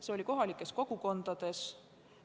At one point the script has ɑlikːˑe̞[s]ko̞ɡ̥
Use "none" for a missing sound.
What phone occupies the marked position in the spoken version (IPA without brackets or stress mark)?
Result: s